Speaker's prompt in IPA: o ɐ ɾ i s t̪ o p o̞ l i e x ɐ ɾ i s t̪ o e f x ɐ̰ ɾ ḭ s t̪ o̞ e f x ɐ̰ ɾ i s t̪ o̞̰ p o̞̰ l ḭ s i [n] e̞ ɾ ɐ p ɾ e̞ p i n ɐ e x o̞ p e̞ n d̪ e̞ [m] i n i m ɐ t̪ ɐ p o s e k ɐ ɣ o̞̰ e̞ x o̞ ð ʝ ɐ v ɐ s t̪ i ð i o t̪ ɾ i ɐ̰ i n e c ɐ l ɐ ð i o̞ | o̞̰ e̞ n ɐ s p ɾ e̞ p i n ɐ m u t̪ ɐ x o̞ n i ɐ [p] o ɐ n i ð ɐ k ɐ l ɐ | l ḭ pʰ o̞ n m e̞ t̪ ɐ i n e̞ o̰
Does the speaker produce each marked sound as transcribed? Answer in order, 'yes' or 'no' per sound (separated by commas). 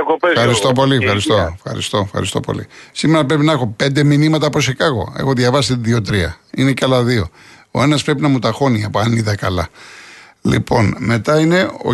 no, yes, yes